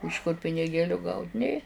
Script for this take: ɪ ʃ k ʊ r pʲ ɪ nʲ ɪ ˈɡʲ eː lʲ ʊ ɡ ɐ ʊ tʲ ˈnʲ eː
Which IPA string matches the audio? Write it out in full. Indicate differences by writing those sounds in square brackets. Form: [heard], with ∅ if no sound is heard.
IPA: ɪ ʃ k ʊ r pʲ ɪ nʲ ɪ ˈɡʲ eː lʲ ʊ ɡ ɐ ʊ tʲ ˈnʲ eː